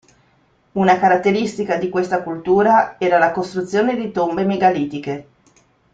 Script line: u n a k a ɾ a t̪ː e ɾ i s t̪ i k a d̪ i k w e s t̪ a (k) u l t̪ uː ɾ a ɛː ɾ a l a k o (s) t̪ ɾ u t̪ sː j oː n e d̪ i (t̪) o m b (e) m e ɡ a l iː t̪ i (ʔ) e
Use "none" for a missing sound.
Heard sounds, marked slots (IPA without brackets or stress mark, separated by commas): k, s, t̪, e, k